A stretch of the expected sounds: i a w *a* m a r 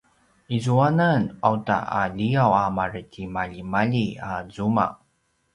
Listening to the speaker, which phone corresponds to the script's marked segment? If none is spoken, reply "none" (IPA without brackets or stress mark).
a